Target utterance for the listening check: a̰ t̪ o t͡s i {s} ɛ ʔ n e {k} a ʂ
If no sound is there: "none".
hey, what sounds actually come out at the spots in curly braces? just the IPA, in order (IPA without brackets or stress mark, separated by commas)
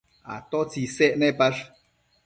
s, p